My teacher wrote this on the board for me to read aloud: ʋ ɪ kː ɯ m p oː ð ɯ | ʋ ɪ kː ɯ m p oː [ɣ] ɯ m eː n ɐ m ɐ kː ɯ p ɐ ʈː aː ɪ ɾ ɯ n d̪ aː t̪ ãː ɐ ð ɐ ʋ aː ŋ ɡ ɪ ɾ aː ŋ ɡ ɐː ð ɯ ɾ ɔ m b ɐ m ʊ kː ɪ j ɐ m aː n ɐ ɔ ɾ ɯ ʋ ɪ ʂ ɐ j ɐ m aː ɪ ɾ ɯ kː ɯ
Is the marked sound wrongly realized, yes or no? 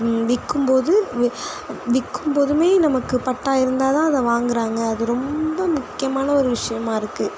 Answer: yes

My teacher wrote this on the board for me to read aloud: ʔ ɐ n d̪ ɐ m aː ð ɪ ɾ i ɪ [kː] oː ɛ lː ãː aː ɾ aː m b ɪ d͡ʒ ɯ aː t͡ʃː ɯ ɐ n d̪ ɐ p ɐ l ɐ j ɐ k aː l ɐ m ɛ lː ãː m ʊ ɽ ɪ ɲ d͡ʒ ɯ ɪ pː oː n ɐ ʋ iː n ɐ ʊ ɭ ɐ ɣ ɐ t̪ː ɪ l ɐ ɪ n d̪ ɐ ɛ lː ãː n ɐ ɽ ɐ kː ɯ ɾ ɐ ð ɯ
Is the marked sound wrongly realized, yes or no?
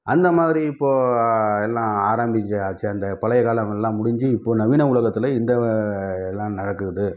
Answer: yes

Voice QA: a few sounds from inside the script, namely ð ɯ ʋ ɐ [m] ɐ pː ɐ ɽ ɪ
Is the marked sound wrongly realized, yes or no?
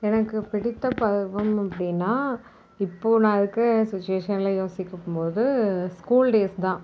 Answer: no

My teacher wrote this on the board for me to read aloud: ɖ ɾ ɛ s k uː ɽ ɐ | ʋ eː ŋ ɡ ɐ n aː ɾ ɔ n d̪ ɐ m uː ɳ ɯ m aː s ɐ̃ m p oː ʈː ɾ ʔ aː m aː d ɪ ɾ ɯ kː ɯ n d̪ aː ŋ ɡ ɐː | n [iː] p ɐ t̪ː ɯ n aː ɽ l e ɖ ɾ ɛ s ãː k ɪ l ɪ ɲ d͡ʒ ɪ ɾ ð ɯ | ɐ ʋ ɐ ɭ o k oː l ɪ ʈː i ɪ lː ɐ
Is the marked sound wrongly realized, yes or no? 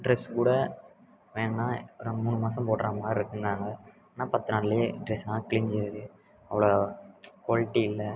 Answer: yes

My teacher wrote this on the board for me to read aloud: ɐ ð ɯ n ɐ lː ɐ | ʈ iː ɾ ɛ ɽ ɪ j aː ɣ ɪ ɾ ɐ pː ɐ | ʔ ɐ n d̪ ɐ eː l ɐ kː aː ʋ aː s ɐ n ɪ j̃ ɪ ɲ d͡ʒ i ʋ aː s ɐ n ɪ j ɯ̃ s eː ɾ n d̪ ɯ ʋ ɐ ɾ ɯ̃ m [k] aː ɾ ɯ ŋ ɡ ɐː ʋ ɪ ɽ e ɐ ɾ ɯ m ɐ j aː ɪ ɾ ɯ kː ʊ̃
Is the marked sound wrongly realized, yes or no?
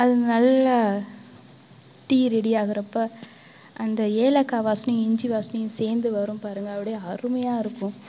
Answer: yes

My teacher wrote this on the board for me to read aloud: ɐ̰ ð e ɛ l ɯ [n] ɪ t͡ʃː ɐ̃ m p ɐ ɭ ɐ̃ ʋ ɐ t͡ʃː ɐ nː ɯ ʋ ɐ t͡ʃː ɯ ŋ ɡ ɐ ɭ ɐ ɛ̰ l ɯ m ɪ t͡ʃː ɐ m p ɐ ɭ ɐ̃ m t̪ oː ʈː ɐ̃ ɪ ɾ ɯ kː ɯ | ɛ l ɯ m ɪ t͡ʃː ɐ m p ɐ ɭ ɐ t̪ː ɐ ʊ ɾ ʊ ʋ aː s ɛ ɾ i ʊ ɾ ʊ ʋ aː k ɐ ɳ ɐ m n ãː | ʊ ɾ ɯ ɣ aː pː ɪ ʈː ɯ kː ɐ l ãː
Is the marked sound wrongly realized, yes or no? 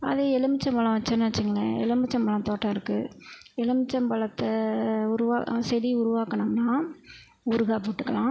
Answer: yes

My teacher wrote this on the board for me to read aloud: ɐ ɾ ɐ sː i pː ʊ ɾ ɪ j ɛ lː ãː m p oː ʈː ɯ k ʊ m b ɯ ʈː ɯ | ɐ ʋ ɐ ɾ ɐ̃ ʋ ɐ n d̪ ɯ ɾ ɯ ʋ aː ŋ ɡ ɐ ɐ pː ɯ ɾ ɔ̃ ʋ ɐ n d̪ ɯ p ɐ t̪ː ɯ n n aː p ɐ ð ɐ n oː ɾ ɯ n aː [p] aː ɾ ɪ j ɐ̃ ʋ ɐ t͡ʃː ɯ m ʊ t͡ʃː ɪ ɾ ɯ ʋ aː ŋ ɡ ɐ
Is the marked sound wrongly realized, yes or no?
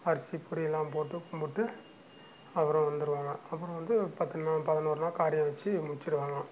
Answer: yes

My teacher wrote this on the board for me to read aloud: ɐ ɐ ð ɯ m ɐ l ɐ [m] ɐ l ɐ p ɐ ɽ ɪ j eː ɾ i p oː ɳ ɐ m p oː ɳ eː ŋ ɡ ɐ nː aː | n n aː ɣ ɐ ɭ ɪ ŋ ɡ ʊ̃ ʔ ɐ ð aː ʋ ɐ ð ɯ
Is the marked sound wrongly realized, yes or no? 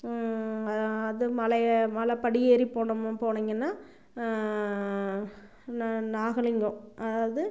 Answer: no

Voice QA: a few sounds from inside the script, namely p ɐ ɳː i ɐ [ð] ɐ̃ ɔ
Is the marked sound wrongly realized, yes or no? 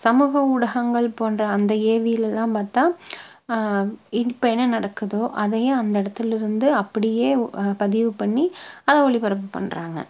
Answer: no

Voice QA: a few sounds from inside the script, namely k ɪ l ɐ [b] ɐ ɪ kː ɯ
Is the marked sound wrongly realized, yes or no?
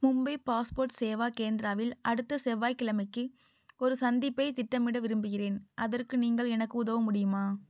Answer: yes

